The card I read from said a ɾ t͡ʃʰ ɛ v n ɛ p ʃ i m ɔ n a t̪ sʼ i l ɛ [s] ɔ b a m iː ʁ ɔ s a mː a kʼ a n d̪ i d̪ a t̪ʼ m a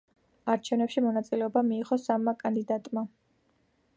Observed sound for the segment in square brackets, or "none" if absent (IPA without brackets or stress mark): none